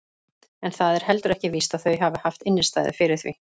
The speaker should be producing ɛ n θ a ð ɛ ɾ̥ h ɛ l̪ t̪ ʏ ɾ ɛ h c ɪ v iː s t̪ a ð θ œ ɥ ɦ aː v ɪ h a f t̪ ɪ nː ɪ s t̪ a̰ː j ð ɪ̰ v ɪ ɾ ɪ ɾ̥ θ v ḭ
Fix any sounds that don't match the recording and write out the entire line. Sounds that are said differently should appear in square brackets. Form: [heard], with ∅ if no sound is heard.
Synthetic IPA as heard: ɛ n θ a ð ɛ ɾ̥ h ɛ l̪ t̪ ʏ ɾ ɛ h c ɪ v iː s t̪ a ð θ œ ɥ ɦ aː v ɪ h a f t̪ ɪ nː ɪ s t̪ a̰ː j ð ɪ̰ [f] ɪ ɾ ɪ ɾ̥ θ v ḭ